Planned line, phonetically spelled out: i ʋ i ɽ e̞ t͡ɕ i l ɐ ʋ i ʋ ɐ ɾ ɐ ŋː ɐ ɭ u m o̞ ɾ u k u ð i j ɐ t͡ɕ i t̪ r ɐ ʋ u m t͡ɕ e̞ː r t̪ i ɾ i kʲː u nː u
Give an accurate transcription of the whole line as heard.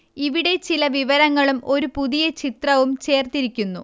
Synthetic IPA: i ʋ i ɽ e̞ t͡ɕ i l ɐ ʋ i ʋ ɐ ɾ ɐ ŋː ɐ ɭ u m o̞ ɾ u p u ð i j ɐ t͡ɕ i t̪ r ɐ ʋ u m t͡ɕ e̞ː r t̪ i ɾ i kʲː u nː u